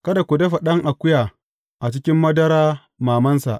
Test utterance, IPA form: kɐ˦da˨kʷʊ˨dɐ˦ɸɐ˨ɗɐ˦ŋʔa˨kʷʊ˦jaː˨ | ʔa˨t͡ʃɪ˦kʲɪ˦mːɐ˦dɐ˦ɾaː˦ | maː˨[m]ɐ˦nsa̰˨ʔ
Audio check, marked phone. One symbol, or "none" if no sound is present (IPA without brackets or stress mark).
m